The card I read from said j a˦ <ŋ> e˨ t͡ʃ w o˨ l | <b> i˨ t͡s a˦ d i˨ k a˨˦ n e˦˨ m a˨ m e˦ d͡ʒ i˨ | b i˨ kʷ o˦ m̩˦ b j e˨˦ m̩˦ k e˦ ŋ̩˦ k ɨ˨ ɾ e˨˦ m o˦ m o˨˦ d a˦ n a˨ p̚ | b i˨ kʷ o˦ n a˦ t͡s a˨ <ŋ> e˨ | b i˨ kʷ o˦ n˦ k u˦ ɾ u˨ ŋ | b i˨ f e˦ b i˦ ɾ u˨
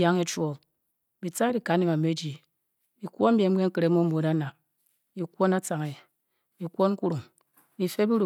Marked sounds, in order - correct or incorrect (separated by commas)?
correct, correct, correct